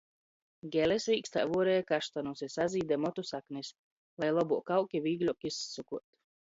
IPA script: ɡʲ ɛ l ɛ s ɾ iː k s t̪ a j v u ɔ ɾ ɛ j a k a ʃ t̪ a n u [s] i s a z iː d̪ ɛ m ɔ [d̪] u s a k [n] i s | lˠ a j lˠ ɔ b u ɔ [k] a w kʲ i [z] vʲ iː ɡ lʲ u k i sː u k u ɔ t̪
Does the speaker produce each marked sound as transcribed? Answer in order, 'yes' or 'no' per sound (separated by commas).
yes, no, yes, yes, no